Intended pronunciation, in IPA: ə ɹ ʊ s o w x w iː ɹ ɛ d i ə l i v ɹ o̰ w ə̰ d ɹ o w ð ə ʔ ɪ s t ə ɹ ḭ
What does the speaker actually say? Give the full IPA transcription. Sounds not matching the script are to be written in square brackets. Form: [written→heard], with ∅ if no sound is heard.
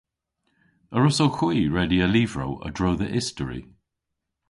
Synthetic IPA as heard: ə ɹ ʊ s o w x w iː ɹ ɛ d i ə l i v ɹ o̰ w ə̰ d ɹ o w ð ə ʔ ɪ s t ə ɹ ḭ